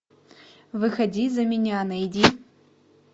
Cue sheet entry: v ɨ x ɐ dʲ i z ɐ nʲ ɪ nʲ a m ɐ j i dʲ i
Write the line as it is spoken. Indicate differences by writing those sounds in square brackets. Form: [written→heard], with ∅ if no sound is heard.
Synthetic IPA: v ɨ x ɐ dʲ i z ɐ [nʲ→mʲ] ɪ nʲ a [m→n] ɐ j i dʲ i